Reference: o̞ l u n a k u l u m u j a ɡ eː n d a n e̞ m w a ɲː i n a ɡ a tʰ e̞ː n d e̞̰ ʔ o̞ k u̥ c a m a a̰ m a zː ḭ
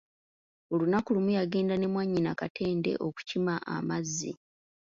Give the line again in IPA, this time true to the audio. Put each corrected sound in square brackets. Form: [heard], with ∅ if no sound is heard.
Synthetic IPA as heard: o̞ l u n a k u l u m u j a ɡ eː n d a n e̞ m w a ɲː i n a [k] a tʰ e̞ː n d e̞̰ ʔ o̞ k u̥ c [i] m a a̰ m a zː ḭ